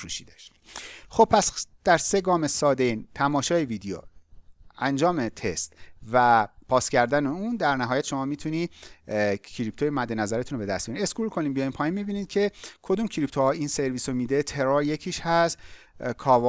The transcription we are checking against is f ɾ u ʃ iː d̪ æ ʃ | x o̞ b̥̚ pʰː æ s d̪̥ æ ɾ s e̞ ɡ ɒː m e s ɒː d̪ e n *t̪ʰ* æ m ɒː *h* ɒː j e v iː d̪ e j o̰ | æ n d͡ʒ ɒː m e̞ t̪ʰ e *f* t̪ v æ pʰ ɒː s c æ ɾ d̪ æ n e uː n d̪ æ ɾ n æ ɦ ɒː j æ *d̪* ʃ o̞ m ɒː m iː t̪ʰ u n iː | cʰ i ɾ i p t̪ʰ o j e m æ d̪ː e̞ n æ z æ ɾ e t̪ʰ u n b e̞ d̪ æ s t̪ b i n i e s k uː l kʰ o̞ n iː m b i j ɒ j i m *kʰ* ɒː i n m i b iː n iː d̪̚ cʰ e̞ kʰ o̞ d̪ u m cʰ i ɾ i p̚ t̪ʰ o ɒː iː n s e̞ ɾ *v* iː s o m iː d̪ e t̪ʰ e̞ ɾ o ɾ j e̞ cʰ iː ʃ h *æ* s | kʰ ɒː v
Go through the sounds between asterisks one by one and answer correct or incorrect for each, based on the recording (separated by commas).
correct, incorrect, incorrect, incorrect, incorrect, correct, correct